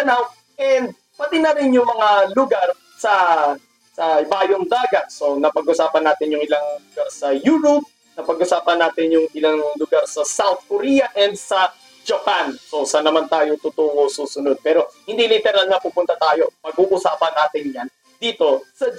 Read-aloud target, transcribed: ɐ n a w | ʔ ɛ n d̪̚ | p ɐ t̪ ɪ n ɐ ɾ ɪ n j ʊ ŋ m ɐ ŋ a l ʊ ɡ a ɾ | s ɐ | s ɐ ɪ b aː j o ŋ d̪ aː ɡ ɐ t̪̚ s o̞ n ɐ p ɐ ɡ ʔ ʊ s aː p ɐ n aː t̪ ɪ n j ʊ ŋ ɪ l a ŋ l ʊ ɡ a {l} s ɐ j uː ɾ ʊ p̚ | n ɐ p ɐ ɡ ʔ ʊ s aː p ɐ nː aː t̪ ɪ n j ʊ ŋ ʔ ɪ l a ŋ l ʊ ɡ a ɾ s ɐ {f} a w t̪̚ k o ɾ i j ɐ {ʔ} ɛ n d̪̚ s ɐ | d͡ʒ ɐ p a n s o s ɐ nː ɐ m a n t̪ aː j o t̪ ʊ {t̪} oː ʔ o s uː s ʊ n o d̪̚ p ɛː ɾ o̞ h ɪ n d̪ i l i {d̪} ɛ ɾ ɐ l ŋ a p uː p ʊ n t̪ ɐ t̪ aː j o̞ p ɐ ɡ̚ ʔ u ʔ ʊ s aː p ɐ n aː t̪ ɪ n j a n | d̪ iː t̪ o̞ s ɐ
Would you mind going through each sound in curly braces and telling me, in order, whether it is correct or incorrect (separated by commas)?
incorrect, incorrect, correct, correct, incorrect